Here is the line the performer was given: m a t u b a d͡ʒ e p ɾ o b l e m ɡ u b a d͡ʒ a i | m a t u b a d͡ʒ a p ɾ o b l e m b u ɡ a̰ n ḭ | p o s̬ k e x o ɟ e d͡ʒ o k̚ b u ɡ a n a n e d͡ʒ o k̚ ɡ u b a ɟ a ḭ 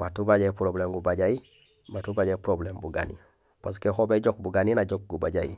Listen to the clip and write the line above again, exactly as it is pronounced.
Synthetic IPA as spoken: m a t u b a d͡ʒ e p ɾ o b l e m ɡ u b a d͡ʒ a i | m a t u b a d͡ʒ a p ɾ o b l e m b u ɡ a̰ n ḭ | p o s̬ k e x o b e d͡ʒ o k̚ b u ɡ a n i n a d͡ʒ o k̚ ɡ u b a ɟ a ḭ